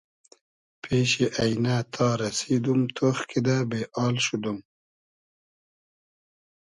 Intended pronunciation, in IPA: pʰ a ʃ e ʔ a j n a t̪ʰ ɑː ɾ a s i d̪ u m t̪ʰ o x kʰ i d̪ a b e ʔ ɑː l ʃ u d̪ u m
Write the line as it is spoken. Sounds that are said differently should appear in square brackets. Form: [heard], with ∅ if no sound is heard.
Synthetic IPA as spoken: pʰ [e] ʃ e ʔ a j n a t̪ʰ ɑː ɾ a s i d̪ u m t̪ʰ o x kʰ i d̪ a b e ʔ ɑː l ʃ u d̪ u m